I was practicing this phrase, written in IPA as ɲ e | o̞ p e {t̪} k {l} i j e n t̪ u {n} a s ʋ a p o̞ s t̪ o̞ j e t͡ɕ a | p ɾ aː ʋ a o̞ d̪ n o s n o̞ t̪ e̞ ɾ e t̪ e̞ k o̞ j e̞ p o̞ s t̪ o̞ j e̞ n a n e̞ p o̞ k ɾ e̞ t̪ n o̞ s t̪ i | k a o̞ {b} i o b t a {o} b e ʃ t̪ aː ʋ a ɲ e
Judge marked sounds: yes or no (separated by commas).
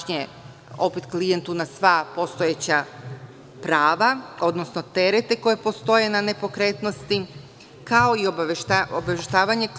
yes, yes, yes, no, yes